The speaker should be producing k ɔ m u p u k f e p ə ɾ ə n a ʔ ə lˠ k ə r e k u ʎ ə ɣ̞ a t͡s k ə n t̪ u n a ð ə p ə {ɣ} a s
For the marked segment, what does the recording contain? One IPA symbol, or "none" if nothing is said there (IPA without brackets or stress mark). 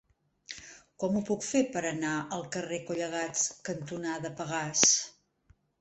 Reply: ɣ